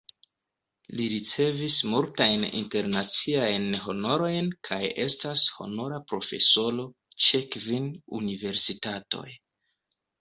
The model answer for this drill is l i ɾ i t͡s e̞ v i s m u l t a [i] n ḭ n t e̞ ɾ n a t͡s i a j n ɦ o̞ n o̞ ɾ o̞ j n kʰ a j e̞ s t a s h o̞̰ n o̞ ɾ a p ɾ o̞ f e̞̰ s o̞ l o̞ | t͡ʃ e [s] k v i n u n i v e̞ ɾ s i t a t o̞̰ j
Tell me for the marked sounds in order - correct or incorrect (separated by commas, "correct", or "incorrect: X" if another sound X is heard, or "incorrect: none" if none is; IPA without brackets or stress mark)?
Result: incorrect: j, incorrect: none